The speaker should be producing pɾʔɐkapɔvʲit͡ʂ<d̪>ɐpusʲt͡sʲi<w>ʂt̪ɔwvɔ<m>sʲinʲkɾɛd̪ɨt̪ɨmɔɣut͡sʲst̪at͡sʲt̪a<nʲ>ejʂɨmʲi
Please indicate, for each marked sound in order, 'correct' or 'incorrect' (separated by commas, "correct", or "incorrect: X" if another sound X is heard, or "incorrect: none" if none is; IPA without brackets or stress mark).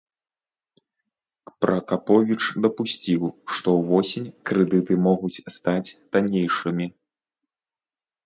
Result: correct, correct, incorrect: none, correct